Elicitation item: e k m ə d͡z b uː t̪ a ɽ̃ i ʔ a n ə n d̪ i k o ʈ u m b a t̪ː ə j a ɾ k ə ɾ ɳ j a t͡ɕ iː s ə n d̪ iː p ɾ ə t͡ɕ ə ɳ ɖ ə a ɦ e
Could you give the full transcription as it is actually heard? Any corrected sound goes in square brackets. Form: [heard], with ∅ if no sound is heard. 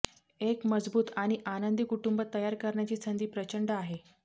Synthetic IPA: e k m ə d͡z b uː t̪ a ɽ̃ i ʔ a n ə n d̪ i k [u] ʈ u m b [ə] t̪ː ə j a ɾ k ə ɾ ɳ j a t͡ɕ iː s ə n d̪ iː p ɾ ə t͡ɕ ə ɳ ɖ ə a ɦ e